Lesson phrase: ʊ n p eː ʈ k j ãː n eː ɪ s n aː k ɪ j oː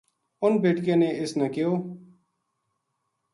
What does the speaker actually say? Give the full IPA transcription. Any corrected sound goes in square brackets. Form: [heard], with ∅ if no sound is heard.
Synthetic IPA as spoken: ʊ n [b] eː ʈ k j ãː n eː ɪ s n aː k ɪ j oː